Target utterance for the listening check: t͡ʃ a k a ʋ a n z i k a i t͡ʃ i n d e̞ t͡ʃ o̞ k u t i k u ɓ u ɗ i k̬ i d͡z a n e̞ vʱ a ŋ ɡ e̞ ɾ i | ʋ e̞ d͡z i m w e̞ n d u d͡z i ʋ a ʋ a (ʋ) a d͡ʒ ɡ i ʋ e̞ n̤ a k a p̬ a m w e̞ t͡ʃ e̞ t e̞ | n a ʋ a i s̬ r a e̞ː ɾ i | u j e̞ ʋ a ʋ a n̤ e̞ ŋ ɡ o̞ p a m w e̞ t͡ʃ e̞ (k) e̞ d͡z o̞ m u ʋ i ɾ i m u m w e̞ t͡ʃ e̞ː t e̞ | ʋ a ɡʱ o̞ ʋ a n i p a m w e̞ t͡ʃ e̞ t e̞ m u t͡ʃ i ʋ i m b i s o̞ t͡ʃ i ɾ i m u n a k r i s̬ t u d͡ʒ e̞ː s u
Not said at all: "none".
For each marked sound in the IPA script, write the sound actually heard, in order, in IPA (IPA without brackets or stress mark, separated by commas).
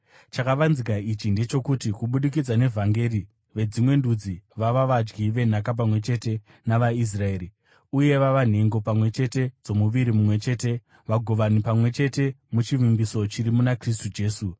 ʋ, t